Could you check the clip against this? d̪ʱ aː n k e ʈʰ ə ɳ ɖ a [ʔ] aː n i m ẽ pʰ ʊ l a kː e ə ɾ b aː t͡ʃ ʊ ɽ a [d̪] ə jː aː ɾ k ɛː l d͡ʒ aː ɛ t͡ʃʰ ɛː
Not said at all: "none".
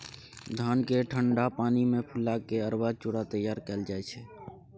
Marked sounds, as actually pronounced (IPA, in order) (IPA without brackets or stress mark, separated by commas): p, t̪